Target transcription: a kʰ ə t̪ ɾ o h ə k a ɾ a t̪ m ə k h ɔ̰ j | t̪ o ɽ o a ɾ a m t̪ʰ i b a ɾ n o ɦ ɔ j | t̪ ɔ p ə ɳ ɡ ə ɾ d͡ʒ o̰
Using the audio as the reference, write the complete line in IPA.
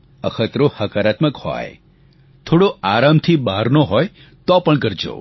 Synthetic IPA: ə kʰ ə t̪ ɾ o h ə k a ɾ a t̪ m ə k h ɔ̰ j | t̪ʰ o ɽ o a ɾ a m t̪ʰ i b a ɾ n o ɦ ɔ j | t̪ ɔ p ə ɳ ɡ ə ɾ d͡ʒ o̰